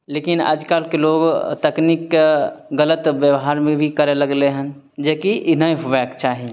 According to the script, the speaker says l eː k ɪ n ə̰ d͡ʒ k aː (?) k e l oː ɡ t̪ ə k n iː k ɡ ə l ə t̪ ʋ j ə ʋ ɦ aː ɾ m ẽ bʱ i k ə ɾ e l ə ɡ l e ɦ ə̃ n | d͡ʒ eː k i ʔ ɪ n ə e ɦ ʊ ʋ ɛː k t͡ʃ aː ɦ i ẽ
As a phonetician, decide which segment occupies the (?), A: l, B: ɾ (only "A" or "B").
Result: A